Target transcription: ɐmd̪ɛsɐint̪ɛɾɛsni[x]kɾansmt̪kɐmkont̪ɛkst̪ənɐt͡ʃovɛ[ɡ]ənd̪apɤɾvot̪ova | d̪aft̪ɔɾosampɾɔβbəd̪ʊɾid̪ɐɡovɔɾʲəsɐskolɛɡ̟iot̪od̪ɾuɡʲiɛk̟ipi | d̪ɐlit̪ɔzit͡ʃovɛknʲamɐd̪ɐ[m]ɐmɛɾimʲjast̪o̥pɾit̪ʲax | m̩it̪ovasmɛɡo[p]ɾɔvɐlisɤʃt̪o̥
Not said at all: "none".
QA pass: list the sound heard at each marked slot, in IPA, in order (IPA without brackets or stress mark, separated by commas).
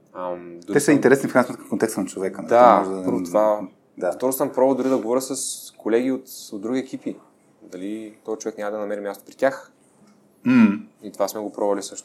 f, k, n, p